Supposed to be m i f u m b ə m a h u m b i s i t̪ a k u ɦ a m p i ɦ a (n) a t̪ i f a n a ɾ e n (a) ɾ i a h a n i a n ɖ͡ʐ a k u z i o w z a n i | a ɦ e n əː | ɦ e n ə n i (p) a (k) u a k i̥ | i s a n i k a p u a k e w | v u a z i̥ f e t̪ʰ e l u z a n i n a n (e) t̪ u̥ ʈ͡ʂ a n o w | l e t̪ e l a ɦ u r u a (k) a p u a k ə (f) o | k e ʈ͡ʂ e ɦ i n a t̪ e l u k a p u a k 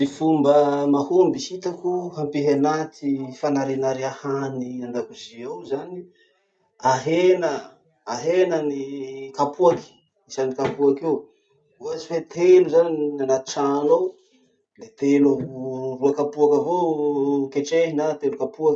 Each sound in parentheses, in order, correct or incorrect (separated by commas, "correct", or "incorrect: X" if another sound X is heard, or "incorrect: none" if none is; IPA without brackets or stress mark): correct, correct, incorrect: k, incorrect: p, incorrect: a, correct, incorrect: v